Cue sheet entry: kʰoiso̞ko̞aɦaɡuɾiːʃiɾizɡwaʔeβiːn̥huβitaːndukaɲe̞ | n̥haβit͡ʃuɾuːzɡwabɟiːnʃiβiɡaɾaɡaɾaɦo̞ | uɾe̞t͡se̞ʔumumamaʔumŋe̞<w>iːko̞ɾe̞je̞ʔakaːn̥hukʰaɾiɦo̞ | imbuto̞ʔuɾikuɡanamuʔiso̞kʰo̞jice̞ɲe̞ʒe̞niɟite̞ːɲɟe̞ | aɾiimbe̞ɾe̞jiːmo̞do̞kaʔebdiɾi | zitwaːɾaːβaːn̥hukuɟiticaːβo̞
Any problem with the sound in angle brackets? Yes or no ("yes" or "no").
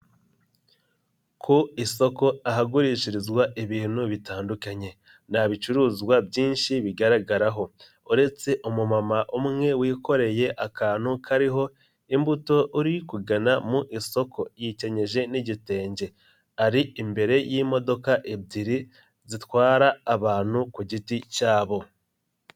no